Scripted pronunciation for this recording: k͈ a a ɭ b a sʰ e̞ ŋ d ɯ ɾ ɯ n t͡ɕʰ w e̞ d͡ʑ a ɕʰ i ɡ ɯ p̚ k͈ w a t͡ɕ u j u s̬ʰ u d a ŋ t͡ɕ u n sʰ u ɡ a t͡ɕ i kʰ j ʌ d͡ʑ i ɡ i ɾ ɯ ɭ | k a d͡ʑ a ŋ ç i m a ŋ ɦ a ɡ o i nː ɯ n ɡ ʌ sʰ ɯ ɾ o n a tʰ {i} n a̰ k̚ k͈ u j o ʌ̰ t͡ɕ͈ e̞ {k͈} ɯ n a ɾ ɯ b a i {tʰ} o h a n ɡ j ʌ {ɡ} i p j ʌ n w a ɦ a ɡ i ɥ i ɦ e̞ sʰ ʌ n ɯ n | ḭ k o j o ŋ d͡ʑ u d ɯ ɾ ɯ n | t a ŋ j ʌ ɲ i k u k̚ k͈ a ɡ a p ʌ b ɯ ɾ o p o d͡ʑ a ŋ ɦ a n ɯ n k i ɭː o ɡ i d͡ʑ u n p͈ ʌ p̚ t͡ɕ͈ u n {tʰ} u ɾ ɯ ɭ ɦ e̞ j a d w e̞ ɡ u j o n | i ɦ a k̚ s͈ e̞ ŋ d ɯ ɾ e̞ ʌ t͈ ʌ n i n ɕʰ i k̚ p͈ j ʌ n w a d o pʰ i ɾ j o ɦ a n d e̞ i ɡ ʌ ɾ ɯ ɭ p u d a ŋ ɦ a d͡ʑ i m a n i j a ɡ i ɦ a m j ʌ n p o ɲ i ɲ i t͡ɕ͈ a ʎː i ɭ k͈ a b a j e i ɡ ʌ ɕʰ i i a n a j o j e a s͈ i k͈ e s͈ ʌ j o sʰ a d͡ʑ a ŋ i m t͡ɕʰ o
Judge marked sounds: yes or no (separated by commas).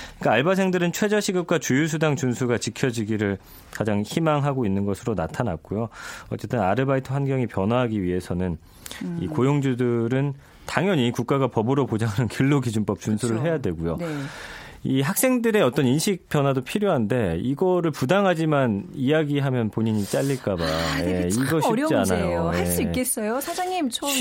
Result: no, no, yes, no, no